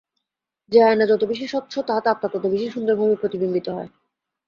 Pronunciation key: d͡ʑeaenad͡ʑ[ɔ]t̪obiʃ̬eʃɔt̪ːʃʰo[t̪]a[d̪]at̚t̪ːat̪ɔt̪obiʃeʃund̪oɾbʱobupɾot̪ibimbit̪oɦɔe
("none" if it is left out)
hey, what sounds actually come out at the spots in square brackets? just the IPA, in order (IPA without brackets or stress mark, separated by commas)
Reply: ɔ, t̪, t̪